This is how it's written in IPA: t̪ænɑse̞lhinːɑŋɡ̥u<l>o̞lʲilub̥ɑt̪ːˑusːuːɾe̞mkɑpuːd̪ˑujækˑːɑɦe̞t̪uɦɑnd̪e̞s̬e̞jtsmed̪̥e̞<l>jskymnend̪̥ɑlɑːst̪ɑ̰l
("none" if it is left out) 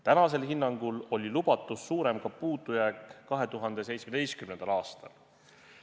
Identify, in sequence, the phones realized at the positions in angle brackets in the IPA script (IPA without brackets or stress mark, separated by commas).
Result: l, none